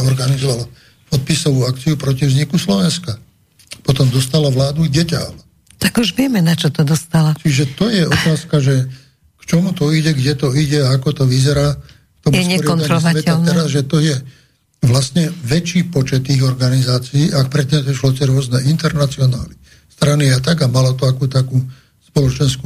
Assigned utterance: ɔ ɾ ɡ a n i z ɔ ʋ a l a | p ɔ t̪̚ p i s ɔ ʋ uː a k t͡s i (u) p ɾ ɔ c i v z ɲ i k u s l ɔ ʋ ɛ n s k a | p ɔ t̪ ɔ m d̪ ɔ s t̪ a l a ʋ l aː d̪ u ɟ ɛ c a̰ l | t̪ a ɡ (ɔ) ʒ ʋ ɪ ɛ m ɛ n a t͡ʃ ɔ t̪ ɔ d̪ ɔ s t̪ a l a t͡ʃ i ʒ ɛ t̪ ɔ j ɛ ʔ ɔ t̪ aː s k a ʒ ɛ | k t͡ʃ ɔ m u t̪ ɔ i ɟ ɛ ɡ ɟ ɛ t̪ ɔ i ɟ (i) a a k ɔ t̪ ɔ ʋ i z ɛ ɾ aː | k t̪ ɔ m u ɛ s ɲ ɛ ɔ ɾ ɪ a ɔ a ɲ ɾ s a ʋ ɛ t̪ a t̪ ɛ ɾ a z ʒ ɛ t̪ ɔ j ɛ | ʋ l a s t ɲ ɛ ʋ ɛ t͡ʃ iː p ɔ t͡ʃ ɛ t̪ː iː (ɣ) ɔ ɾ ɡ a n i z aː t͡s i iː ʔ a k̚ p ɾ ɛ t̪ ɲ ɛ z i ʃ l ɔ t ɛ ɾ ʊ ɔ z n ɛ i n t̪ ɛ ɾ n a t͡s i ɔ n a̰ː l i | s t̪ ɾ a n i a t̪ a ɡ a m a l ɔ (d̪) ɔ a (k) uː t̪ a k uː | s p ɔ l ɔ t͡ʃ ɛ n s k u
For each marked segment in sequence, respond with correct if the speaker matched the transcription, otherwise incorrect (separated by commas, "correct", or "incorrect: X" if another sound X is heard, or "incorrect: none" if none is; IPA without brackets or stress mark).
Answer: correct, incorrect: u, incorrect: ɛ, correct, incorrect: t̪, correct